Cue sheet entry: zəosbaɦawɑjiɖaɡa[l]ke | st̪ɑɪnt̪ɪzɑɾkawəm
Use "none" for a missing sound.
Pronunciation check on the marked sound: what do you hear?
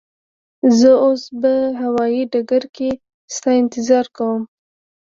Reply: ɾ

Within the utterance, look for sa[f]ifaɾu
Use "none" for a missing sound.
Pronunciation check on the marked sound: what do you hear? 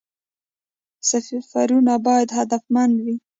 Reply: f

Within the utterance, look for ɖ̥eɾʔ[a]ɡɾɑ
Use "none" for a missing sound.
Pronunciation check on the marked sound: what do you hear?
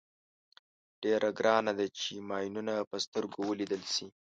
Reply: a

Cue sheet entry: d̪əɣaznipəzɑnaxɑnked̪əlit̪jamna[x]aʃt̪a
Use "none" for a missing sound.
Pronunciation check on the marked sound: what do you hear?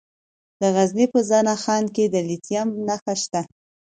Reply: x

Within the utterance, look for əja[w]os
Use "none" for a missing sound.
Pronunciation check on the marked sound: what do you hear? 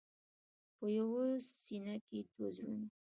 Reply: w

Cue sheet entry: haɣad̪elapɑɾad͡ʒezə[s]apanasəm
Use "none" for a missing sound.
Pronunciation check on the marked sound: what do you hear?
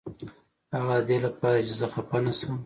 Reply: x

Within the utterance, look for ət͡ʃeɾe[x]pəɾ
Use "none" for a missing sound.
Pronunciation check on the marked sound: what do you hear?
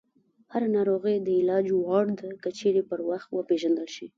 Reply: none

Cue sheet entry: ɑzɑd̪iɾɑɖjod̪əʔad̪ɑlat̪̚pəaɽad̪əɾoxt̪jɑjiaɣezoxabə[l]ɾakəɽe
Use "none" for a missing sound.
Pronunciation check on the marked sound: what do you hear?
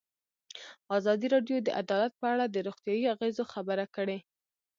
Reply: none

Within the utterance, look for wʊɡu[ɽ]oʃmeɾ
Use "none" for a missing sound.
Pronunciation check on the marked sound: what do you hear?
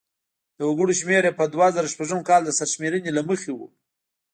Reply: ɽ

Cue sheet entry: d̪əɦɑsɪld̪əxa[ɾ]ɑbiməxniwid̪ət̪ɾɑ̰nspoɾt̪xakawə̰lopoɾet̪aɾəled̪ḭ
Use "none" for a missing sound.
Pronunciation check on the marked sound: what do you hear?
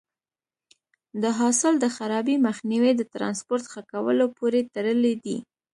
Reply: ɾ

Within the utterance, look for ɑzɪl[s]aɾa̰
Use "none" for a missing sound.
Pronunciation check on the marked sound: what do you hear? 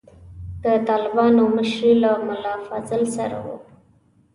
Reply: s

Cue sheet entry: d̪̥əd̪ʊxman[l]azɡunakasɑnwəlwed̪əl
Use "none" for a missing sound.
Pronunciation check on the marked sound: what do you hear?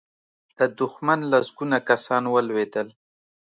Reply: l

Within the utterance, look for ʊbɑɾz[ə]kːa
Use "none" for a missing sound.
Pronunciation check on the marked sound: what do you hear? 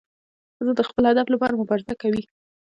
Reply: a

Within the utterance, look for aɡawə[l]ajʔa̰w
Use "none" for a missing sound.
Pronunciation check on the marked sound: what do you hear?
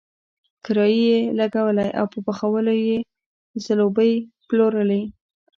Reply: l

